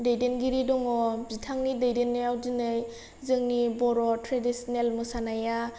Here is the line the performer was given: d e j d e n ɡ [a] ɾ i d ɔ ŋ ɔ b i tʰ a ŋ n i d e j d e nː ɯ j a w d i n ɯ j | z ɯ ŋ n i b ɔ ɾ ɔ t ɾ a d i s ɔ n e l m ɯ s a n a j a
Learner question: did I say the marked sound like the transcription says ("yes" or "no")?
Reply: no